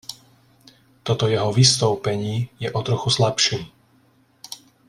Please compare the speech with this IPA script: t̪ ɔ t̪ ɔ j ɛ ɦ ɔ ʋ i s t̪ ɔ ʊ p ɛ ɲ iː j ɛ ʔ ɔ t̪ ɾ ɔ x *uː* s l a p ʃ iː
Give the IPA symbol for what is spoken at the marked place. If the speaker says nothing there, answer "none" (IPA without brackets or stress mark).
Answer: u